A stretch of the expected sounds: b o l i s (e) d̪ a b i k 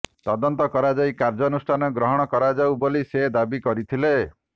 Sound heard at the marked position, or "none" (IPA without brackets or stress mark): e